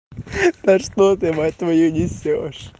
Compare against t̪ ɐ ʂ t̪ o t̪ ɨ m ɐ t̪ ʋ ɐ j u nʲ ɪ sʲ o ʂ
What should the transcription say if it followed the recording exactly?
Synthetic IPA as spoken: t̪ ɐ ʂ t̪ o t̪ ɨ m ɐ t̪ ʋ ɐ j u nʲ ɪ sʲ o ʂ